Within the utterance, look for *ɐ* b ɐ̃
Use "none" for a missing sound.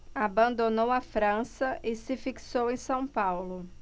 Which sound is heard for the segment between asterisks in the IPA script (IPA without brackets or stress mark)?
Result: a